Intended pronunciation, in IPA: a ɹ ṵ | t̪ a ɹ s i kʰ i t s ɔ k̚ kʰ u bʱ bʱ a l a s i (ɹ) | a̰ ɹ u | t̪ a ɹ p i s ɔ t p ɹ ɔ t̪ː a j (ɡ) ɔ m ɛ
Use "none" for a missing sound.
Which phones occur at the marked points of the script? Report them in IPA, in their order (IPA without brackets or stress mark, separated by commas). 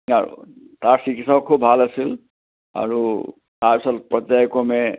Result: l, k